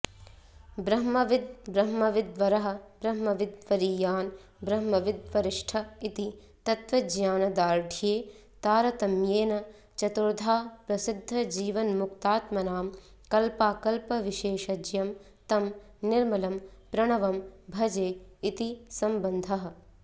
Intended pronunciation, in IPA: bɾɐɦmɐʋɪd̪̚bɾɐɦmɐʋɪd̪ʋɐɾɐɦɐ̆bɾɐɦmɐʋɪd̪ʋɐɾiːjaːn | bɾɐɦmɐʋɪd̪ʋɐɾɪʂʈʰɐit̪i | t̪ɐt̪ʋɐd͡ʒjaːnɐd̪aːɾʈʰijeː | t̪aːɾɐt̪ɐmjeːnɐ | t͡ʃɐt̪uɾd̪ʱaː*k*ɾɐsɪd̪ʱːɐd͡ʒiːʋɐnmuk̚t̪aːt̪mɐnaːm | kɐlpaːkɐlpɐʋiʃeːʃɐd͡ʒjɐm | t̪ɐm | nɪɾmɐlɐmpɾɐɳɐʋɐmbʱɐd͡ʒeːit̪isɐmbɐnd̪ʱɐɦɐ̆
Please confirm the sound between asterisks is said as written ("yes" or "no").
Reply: no